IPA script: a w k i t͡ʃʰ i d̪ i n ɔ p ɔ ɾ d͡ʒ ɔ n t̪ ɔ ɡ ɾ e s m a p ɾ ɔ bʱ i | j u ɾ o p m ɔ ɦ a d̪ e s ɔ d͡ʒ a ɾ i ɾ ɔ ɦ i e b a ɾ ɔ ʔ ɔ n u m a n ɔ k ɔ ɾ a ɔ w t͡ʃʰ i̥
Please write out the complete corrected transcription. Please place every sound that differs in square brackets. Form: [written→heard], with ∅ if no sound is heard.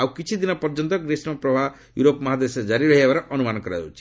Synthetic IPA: a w k i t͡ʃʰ i d̪ i n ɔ p ɔ ɾ d͡ʒ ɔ n t̪ ɔ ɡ ɾ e s m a p ɾ ɔ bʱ [i→a] | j u ɾ o p m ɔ ɦ a d̪ e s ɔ d͡ʒ a ɾ i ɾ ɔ ɦ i e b a ɾ ɔ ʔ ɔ n u m a n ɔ k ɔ ɾ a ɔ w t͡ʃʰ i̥